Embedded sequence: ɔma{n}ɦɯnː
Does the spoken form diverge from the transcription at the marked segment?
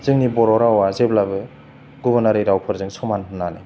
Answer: no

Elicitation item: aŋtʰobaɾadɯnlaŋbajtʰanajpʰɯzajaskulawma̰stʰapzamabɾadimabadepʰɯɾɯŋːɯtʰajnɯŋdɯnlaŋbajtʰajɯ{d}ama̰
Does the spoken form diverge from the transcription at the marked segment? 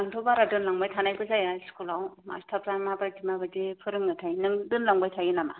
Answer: yes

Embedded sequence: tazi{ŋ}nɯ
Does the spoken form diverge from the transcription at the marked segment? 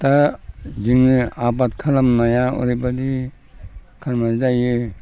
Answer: no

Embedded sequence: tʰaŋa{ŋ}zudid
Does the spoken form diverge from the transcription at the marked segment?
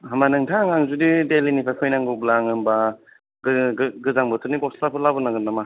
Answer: no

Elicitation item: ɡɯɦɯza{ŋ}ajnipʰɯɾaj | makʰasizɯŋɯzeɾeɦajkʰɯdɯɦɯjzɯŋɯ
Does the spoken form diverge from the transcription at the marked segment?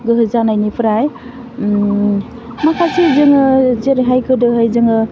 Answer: yes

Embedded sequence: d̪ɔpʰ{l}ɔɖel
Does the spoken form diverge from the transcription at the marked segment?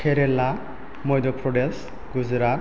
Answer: yes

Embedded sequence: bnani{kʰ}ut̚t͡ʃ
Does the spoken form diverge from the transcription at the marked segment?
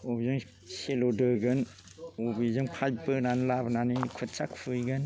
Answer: no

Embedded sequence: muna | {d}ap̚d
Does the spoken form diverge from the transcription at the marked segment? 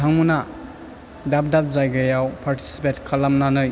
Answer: no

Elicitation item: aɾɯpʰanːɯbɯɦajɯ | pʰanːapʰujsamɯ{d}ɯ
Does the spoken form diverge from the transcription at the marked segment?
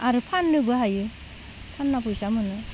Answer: yes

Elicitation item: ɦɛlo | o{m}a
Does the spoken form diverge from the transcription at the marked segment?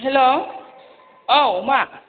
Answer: no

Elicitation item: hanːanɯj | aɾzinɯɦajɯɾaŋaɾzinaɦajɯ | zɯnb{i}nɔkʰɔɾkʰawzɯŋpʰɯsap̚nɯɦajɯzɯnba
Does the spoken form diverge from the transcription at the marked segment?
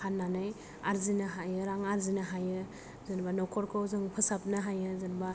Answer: yes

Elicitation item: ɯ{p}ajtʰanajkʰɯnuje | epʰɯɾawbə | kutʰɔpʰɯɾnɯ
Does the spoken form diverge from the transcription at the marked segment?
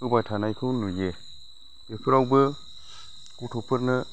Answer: yes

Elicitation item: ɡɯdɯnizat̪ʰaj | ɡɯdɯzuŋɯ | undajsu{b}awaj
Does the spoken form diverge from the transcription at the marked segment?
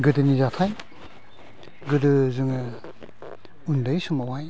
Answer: yes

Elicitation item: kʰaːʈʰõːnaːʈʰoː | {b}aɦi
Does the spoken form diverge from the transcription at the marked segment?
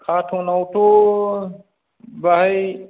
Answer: no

